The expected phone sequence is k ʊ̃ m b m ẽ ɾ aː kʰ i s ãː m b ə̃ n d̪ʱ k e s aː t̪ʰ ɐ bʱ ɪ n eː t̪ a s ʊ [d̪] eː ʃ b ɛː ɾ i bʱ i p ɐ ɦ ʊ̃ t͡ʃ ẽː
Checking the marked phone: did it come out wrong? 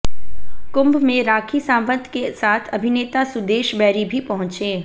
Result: no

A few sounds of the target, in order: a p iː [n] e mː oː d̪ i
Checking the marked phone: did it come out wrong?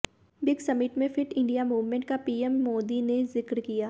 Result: yes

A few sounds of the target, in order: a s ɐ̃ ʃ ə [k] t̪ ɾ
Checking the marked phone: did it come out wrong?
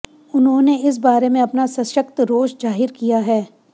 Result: no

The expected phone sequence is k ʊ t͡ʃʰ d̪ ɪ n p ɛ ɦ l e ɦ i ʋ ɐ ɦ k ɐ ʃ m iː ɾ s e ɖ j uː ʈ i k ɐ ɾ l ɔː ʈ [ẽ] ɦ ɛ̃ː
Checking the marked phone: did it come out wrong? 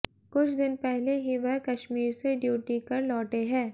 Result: yes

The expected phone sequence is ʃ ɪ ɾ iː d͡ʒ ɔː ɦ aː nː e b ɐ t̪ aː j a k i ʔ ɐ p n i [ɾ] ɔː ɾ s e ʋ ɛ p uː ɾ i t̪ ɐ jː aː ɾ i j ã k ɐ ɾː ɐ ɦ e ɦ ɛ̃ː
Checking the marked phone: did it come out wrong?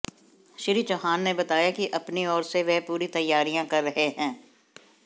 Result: yes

